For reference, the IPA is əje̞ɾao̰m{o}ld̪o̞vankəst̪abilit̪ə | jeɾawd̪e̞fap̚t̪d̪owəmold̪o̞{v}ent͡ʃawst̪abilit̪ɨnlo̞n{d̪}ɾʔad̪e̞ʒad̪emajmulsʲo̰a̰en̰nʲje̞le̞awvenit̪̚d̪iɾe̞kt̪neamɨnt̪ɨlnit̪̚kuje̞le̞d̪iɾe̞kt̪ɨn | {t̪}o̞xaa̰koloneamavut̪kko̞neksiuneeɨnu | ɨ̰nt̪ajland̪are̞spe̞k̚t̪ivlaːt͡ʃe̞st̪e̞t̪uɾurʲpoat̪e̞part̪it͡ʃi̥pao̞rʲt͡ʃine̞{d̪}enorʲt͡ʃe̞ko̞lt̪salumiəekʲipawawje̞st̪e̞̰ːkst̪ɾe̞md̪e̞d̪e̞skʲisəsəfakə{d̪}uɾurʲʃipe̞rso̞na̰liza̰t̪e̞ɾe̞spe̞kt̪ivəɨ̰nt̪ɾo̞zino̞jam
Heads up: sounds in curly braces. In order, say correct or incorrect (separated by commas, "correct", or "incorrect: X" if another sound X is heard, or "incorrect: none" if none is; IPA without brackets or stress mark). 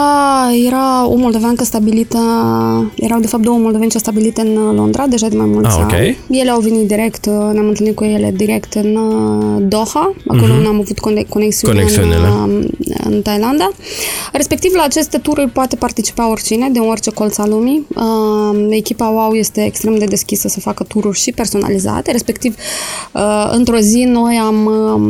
correct, correct, correct, incorrect: d̪, correct, incorrect: t̪